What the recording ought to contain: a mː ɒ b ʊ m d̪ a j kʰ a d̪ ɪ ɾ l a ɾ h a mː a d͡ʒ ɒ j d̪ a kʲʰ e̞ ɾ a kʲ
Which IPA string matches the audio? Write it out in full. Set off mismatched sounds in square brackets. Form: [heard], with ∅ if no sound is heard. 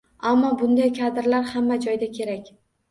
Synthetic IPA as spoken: a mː ɒ b ʊ [n] d̪ a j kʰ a d̪ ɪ ɾ l a ɾ h a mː a d͡ʒ ɒ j d̪ a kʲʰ e̞ ɾ a kʲ